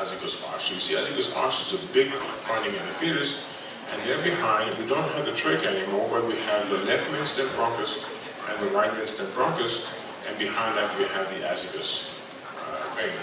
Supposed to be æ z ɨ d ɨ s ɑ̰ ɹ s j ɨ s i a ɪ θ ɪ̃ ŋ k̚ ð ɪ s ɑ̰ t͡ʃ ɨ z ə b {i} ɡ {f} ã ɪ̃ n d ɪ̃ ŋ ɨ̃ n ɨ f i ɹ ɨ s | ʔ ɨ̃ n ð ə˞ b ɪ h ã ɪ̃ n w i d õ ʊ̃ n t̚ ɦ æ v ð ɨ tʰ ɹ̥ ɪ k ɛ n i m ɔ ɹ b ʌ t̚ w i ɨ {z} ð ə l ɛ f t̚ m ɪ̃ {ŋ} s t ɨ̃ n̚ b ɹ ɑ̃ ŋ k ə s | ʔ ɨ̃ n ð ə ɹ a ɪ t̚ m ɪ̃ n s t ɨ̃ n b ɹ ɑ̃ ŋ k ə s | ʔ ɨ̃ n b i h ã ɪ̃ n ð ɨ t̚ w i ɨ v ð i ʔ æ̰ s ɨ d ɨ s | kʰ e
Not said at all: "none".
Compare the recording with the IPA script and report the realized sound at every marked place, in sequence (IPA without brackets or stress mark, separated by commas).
ɪ, f, v, n